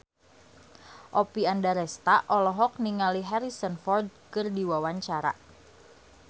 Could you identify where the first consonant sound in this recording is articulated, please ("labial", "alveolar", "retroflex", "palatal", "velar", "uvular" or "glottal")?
glottal